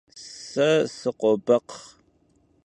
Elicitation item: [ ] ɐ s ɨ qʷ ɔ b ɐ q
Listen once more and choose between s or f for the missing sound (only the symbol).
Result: s